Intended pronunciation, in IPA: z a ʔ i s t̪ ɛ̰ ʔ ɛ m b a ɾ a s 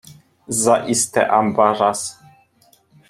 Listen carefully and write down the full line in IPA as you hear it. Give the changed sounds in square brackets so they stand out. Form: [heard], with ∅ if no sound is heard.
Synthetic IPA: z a ʔ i s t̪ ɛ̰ ʔ [a] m b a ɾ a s